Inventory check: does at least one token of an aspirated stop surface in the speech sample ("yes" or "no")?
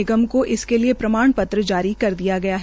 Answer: no